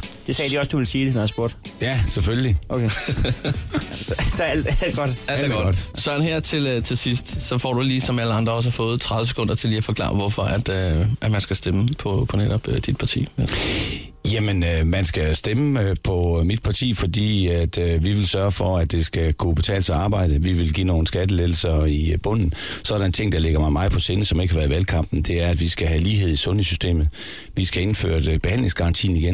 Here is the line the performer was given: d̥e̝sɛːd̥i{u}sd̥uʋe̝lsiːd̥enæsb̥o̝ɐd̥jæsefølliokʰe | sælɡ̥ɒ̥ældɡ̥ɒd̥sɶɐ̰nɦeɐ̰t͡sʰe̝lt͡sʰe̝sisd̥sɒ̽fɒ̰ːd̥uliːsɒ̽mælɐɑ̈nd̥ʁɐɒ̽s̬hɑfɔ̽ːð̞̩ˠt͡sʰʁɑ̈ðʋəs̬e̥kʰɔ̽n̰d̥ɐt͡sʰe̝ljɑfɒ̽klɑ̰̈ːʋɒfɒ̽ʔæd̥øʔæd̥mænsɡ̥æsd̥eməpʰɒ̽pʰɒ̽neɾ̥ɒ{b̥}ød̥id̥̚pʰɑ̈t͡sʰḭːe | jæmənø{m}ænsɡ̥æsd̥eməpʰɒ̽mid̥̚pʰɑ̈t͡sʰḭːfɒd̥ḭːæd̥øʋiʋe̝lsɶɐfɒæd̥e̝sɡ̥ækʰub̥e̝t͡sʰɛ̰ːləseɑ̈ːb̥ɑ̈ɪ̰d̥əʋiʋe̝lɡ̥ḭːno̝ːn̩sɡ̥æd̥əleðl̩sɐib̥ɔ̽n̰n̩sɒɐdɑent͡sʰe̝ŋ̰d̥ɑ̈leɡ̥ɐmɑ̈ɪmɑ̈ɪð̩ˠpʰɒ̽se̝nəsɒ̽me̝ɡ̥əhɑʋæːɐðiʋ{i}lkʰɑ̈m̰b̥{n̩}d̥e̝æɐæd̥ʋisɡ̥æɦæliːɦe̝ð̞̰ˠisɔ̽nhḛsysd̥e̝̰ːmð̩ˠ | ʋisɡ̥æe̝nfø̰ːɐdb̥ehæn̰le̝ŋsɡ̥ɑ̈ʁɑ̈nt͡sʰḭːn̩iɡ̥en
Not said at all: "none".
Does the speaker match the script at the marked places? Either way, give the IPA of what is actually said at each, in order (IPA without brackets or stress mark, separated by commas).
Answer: ɒ, b̥, m, æ, n̩